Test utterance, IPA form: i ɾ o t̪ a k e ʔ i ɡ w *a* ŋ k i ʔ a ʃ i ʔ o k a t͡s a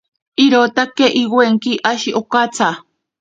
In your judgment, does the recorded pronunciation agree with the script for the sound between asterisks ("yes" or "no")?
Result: no